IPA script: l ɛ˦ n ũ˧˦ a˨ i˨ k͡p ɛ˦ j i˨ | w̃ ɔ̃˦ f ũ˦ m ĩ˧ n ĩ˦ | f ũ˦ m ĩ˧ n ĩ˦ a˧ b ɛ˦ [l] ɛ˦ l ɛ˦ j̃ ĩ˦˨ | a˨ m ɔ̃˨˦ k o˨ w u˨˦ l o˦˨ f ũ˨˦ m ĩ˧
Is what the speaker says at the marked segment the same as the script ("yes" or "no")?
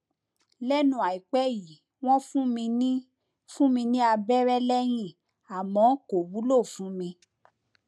no